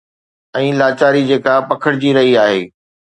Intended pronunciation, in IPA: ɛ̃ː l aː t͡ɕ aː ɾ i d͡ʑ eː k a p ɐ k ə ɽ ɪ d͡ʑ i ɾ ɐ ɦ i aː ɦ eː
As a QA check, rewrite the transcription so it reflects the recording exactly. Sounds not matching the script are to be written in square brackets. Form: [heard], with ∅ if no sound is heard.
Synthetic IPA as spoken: ɛ̃ː l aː t͡ɕ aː ɾ i d͡ʑ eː k a p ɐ [kʰ] ə ɽ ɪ d͡ʑ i ɾ ɐ ɦ i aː ɦ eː